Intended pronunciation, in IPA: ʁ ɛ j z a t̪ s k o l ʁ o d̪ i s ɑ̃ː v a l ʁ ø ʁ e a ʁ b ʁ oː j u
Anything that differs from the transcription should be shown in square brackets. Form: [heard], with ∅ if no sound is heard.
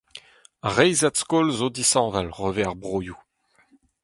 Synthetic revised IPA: ʁ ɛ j z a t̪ s k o l [z] o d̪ i s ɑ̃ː v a l ʁ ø [v] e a ʁ b ʁ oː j u